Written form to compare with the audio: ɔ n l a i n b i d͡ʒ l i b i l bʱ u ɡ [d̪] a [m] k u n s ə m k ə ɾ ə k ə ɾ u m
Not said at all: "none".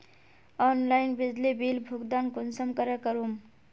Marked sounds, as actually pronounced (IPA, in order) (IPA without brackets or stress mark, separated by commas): d̪, n